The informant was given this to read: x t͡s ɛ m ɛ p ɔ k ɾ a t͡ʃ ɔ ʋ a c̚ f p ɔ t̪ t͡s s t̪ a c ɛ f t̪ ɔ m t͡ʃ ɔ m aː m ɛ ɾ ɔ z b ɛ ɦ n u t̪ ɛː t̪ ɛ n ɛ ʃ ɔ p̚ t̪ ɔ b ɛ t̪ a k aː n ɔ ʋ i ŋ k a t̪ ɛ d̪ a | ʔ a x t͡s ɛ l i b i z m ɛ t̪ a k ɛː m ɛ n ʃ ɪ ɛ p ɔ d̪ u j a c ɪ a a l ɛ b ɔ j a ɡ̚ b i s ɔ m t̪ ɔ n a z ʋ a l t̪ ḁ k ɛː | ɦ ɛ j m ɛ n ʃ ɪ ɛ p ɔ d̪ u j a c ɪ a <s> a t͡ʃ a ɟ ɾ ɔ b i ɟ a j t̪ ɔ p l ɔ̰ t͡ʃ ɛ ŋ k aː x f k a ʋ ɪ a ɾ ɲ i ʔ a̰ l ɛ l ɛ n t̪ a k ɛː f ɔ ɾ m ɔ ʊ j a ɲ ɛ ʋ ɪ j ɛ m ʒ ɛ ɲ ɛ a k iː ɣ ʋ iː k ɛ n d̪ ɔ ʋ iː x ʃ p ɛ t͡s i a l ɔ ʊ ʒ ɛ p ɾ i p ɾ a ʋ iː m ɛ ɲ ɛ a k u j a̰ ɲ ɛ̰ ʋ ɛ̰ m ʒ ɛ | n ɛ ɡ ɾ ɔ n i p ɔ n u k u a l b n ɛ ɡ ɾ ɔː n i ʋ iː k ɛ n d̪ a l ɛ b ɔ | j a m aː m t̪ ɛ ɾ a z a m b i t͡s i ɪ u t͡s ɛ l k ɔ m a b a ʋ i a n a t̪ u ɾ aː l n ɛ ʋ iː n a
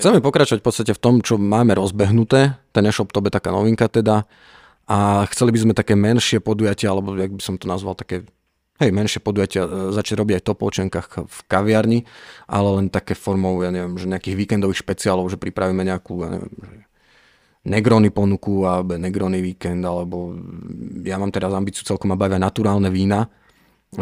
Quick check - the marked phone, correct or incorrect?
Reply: incorrect